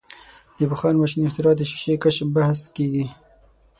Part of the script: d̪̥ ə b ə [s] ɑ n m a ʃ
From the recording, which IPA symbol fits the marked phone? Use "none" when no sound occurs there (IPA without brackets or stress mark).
x